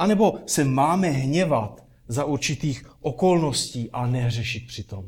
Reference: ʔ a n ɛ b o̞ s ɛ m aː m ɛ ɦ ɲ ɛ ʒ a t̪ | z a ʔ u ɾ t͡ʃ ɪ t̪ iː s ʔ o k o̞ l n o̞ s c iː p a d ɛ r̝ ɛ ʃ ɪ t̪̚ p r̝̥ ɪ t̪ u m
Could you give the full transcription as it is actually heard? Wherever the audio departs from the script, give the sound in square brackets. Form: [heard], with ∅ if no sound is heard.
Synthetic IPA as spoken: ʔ a n ɛ b o̞ s ɛ m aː m ɛ ɦ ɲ ɛ [v] a t̪ | z a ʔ u ɾ t͡ʃ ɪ t̪ iː [x] ʔ o k o̞ l n o̞ s c iː [ʔ] a [n] ɛ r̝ ɛ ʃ ɪ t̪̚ p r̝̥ ɪ t̪ [o] m